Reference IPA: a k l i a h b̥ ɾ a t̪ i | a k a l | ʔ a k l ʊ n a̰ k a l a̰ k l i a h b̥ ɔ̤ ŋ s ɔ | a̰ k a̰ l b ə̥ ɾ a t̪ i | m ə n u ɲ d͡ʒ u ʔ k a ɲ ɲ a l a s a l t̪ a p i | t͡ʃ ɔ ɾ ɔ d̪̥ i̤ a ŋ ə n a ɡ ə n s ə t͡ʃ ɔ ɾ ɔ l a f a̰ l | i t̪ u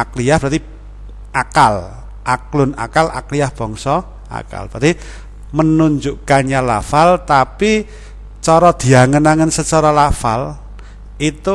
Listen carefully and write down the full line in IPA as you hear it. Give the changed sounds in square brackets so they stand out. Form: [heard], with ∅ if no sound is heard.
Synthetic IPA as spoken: a k l i a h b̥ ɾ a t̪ i | a k a l | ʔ a k l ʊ n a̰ k a l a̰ k l i a h b̥ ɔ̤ ŋ s ɔ | a̰ k a̰ l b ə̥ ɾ a t̪ i | m ə n u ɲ d͡ʒ u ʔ k a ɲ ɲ a l a [f] a l t̪ a p i | t͡ʃ ɔ ɾ ɔ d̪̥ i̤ a ŋ ə n a [ŋ] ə n s ə t͡ʃ ɔ ɾ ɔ l a f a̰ l | i t̪ u